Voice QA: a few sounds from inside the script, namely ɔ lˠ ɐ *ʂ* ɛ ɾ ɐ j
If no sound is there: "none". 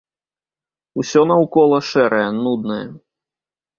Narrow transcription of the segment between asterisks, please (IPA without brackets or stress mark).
ʂ